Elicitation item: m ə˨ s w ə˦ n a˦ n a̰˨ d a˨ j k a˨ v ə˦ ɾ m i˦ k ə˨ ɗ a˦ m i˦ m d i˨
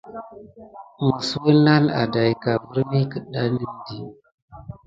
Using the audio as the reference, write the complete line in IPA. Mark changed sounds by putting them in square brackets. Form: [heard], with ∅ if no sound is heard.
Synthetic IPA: m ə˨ s w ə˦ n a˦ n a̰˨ d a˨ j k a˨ v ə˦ ɾ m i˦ k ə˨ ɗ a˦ [n] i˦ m d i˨